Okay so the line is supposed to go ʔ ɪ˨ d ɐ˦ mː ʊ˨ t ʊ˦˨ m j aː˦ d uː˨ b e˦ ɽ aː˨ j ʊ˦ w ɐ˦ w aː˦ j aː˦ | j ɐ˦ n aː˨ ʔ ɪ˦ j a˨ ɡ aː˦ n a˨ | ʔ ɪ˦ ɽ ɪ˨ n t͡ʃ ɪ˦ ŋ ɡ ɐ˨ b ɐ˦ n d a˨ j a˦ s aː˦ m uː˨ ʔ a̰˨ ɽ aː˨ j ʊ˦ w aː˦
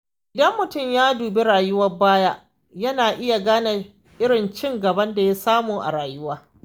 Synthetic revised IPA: ʔ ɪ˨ d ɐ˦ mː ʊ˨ t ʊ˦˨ m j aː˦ d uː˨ b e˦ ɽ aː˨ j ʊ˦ w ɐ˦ b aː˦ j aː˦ | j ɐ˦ n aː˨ ʔ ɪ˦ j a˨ ɡ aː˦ n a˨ | ʔ ɪ˦ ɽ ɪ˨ n t͡ʃ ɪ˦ ŋ ɡ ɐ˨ b ɐ˦ n d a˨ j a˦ s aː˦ m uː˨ ʔ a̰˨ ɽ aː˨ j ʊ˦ w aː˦